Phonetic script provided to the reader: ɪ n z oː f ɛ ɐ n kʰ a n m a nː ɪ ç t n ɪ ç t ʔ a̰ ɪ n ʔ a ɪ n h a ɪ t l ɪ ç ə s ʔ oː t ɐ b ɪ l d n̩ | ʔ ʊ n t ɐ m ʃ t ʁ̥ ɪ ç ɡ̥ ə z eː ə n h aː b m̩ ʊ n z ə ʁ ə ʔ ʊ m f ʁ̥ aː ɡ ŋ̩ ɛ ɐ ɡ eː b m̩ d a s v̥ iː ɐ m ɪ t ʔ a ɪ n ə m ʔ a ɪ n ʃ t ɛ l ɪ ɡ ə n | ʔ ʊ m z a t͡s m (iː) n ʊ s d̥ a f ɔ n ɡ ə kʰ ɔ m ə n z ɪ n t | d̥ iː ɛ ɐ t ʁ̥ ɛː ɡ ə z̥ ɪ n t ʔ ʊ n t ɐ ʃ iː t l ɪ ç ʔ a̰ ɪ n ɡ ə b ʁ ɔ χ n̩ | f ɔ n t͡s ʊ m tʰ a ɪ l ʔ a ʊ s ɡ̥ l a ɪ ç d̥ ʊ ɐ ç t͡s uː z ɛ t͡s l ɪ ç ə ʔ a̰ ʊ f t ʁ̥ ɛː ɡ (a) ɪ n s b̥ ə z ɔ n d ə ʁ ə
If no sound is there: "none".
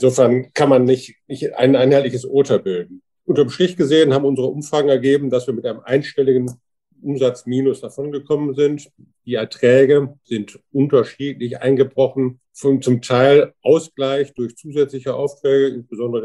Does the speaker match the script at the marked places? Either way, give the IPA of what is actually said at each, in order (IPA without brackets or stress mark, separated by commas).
iː, ə